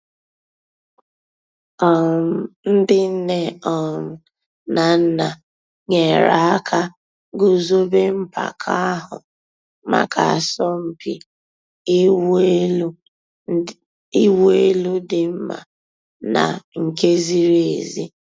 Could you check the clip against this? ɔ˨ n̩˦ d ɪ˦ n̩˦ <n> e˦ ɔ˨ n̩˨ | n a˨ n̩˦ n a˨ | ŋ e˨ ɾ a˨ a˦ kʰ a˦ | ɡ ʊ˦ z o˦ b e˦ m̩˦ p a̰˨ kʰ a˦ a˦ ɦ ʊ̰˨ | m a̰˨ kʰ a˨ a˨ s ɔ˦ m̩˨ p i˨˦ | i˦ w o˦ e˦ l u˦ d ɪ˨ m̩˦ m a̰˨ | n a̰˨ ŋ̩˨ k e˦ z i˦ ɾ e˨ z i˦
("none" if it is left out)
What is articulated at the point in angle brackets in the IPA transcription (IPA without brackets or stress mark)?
n